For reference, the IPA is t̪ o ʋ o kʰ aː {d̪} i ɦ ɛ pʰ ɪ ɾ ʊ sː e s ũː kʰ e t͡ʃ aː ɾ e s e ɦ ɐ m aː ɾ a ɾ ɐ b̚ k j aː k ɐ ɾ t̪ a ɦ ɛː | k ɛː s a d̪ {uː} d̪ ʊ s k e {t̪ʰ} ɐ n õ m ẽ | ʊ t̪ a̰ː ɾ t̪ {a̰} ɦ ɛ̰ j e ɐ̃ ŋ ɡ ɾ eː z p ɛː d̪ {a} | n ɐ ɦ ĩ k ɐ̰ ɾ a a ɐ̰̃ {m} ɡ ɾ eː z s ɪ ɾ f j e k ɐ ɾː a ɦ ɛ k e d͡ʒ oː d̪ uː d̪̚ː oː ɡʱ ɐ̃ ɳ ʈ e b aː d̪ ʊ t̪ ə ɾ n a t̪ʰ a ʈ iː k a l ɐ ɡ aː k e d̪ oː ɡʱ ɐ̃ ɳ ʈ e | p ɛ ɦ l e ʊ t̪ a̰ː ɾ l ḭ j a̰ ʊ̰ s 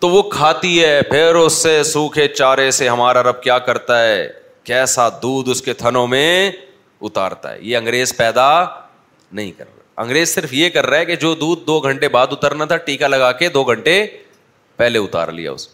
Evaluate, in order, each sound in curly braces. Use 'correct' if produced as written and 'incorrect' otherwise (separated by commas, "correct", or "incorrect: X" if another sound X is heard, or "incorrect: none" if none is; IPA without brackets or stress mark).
incorrect: t̪, correct, correct, correct, correct, incorrect: ŋ